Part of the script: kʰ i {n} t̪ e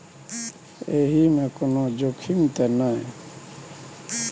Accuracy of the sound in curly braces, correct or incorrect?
incorrect